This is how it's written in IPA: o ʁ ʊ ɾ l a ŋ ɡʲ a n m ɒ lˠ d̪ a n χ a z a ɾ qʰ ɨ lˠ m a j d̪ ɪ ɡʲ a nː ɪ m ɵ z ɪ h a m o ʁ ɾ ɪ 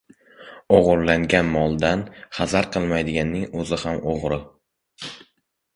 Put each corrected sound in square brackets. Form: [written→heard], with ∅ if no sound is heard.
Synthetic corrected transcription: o ʁ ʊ ɾ l a ŋ ɡʲ a n m ɒ lˠ d̪ a n χ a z a ɾ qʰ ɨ lˠ m a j d̪ ɪ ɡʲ a nː ɪ [m→ŋ] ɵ z ɪ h a m o ʁ ɾ ɪ